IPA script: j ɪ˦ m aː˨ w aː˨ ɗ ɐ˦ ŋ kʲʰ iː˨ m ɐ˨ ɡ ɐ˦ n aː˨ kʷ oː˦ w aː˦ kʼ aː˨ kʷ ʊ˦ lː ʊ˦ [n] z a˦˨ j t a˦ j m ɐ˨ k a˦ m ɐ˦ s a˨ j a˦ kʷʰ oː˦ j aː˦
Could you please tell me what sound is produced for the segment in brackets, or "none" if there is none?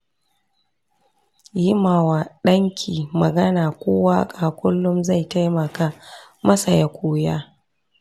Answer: m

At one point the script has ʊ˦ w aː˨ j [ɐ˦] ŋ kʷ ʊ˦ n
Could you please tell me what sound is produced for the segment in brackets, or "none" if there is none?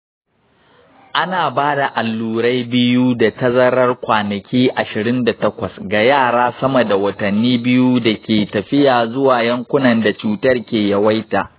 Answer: ɐ˦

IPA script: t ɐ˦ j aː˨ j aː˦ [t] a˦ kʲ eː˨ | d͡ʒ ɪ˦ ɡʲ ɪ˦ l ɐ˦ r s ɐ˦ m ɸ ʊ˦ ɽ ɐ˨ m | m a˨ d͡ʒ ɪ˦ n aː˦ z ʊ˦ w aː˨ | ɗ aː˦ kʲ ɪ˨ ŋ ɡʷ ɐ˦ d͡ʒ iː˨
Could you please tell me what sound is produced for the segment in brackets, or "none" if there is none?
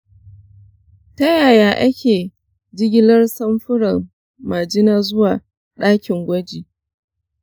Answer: ʔ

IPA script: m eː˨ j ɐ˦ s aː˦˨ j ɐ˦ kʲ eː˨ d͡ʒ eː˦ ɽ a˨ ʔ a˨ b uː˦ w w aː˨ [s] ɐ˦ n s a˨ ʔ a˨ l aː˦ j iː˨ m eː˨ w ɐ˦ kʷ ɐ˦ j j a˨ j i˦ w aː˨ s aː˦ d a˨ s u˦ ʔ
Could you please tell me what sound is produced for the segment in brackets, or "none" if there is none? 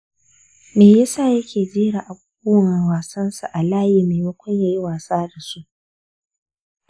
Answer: s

